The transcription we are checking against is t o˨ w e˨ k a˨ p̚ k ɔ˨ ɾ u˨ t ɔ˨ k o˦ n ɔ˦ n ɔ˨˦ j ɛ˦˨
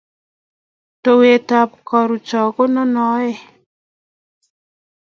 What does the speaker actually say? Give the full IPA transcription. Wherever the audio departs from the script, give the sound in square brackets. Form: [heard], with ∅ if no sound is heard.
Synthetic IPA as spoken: t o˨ w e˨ [t] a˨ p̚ k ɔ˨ ɾ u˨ [t͡ʃ] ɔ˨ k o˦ n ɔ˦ n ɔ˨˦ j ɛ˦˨